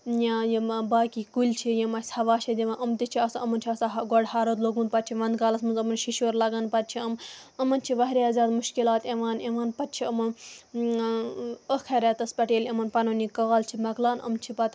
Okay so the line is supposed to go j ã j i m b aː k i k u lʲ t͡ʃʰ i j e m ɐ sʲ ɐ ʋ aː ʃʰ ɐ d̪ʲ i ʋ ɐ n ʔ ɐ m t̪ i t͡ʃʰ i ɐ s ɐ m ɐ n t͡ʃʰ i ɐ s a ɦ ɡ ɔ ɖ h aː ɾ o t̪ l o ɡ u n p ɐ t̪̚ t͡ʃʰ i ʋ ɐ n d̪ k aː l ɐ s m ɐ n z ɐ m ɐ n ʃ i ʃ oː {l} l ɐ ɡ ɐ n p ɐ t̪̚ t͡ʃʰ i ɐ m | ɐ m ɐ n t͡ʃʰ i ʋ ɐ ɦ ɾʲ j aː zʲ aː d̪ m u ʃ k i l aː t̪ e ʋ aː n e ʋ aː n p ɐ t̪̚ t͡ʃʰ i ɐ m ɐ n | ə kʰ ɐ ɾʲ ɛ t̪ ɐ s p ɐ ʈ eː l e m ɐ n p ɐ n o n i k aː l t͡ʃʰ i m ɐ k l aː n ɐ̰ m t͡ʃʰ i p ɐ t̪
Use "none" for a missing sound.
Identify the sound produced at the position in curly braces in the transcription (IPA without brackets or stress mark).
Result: ɾ